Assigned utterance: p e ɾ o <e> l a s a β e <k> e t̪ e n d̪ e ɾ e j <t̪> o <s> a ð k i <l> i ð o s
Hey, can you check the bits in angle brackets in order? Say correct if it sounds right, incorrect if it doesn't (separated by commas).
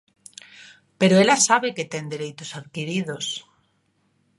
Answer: correct, correct, correct, correct, incorrect